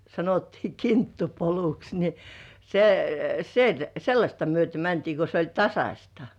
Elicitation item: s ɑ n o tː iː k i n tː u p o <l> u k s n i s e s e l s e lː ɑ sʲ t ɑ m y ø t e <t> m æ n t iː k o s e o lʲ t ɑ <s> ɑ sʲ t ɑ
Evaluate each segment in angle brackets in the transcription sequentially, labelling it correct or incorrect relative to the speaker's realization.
correct, incorrect: none, correct

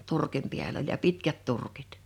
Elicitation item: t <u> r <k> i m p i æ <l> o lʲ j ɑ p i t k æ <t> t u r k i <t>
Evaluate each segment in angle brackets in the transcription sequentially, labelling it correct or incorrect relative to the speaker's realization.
correct, correct, correct, correct, correct

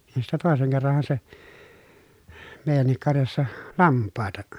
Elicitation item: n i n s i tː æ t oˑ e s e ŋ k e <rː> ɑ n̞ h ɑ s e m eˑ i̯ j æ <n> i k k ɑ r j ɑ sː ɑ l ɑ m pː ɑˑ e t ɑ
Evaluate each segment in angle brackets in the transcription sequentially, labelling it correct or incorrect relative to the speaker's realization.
correct, incorrect: nː

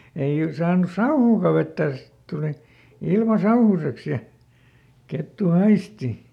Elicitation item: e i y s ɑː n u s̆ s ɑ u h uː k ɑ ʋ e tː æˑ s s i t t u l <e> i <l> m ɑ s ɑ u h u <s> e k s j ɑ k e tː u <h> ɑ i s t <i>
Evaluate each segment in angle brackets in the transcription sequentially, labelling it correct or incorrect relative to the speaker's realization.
incorrect: i, correct, correct, correct, correct

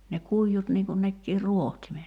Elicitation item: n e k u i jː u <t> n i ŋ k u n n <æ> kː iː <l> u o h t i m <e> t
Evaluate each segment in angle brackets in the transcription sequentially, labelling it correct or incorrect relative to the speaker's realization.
correct, incorrect: e, incorrect: r, correct

